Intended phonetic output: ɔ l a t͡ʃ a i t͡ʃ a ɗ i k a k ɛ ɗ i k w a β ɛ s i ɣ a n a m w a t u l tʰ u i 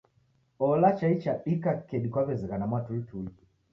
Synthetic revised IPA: ɔ l a t͡ʃ a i t͡ʃ a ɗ i k a k ɛ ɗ i k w a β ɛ z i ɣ a n a m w a t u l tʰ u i